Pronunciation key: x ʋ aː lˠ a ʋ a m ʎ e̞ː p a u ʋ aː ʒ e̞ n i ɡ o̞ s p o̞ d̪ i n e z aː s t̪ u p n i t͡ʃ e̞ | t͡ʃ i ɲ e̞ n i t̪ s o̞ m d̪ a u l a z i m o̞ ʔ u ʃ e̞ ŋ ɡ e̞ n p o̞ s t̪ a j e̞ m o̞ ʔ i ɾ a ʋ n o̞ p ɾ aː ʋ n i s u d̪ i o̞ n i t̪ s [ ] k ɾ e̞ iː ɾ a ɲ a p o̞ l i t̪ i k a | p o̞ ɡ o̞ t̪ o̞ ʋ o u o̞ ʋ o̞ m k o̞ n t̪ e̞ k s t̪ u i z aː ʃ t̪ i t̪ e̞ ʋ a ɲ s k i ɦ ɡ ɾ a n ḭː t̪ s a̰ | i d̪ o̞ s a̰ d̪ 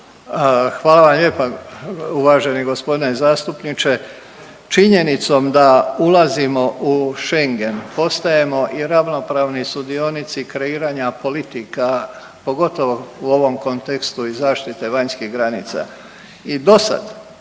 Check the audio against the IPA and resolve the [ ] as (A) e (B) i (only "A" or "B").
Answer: B